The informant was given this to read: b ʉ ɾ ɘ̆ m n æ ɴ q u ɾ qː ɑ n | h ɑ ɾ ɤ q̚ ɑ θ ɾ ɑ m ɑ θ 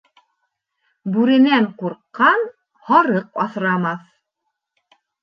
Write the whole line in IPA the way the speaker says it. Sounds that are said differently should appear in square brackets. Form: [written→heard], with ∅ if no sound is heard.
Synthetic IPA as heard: b ʉ ɾ ɘ̆ [m→∅] n æ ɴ q u ɾ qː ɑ n | h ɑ ɾ ɤ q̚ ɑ θ ɾ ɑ m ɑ θ